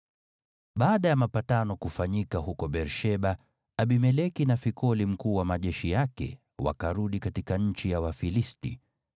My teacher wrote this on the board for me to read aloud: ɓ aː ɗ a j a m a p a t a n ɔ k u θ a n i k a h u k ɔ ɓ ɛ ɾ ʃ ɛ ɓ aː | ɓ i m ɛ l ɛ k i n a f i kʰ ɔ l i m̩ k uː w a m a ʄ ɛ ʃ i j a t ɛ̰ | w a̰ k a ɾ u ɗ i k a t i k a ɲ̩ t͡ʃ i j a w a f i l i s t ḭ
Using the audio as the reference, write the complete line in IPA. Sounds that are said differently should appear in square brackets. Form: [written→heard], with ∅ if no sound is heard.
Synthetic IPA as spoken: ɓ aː ɗ a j a m a p a t a n ɔ k u [θ→f] a [n→ɲ] i k a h u k ɔ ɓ ɛ ɾ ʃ ɛ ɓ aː | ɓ i m ɛ l ɛ k i n a f i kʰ ɔ l i m̩ k uː w a m a ʄ ɛ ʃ i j a [t→k] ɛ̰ | w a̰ k a ɾ u ɗ i k a t i k a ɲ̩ t͡ʃ i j a w a f i l i s t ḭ